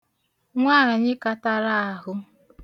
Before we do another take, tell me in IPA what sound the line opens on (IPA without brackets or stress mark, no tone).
ŋʷ